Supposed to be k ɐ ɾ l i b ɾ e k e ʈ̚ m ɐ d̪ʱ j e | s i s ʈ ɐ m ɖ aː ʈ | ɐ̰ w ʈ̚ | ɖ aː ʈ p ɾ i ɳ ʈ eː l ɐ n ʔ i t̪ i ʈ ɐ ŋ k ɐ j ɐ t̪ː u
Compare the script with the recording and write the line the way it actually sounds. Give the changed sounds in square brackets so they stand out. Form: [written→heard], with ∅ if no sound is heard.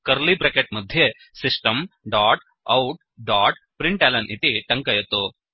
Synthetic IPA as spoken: k ɐ ɾ l i b ɾ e k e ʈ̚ m ɐ d̪ʱ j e | s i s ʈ ɐ m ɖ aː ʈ | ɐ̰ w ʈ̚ | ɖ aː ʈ p ɾ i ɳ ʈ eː l ɐ n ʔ i t̪ i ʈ ɐ ŋ k ɐ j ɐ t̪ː u